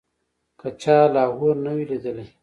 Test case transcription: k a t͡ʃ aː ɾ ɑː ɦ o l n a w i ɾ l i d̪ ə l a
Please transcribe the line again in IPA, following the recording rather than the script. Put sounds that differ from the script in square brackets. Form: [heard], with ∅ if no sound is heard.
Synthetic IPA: k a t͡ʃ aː [l] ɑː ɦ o [ɾ] n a w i [∅] l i d̪ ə l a